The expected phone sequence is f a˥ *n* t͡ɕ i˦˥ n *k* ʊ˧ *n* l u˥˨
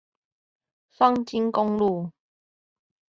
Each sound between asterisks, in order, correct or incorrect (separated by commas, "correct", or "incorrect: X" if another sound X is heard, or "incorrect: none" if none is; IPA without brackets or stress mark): incorrect: ŋ, correct, incorrect: ŋ